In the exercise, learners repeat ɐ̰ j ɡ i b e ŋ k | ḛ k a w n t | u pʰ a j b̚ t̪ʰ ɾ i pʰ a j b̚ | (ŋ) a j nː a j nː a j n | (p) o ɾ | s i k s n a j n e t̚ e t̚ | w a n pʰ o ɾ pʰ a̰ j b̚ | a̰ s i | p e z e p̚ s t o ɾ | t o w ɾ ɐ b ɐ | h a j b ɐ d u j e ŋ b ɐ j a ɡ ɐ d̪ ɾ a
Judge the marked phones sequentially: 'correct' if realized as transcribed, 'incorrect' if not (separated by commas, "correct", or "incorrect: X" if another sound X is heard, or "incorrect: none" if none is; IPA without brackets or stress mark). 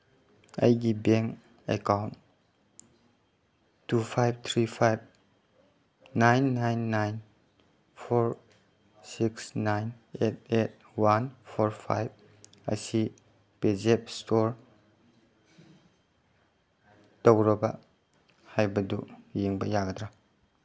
incorrect: n, incorrect: pʰ